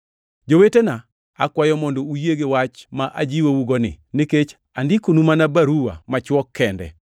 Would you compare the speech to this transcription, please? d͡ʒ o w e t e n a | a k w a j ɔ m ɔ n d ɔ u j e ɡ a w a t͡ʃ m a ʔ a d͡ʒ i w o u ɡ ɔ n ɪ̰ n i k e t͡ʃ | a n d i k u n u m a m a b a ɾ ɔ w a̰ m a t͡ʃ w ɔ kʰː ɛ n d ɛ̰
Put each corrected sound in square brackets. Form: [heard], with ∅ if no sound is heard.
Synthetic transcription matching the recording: d͡ʒ o w e t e n a | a k w a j ɔ m ɔ n d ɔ u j e ɡ [e] w a t͡ʃ m a ʔ a d͡ʒ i w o u ɡ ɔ n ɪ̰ n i k e t͡ʃ | a n d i k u n u m a [n] a b a ɾ [u] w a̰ m a t͡ʃ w ɔ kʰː ɛ n d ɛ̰